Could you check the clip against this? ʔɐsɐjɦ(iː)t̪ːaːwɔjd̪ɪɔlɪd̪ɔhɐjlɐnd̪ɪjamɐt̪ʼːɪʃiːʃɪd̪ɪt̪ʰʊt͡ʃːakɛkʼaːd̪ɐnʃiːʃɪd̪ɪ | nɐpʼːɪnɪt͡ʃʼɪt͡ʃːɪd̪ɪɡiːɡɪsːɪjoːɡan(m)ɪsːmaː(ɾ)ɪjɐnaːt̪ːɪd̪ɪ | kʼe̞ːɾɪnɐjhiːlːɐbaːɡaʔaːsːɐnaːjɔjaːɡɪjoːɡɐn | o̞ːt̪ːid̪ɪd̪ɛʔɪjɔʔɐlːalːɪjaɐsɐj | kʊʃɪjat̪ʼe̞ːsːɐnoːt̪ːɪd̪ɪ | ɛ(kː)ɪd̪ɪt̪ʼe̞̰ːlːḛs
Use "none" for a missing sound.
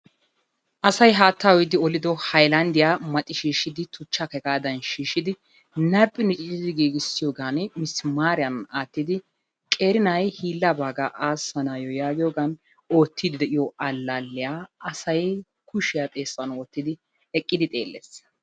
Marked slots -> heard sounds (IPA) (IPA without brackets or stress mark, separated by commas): aː, m, ɾ, kʼː